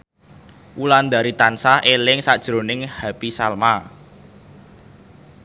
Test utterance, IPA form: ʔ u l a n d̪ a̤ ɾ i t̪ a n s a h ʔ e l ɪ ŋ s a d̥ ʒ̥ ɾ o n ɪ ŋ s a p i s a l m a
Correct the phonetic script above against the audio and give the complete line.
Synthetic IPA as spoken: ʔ u l a n d̪ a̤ ɾ i t̪ a n s a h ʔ e l ɪ ŋ s a d̥ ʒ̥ ɾ o n ɪ ŋ h a p i s a l m a